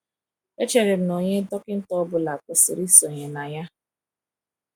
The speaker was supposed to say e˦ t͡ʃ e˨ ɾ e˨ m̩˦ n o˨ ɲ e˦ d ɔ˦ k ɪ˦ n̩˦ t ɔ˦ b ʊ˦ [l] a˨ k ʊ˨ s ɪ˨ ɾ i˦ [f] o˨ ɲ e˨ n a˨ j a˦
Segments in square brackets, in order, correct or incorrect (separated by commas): correct, incorrect